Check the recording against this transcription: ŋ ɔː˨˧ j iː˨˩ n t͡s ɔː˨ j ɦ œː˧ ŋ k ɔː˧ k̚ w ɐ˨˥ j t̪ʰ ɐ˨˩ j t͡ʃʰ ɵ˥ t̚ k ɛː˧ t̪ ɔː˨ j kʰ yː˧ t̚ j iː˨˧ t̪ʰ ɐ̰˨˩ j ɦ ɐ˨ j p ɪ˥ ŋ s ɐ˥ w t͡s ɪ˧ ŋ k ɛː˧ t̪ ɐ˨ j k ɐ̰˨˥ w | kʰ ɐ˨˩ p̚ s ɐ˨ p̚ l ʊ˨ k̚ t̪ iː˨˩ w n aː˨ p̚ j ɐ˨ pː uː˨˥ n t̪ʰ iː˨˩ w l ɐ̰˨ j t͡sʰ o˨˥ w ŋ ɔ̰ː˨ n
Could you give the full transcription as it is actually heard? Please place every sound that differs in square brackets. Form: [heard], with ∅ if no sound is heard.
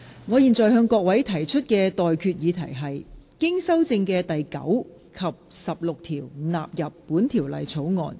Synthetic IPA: ŋ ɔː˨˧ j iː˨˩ n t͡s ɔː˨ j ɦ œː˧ ŋ k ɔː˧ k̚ w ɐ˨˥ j t̪ʰ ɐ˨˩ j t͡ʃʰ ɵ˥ t̚ k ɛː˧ t̪ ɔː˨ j kʰ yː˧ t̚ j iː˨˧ t̪ʰ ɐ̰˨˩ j ɦ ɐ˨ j [k] ɪ˥ ŋ s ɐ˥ w t͡s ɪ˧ ŋ k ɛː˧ t̪ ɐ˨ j k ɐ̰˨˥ w | kʰ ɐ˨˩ p̚ s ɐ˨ p̚ l ʊ˨ k̚ [t̪ʰ] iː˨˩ w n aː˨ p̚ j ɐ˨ pː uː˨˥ n t̪ʰ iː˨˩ w l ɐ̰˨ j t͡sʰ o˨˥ w ŋ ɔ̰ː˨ n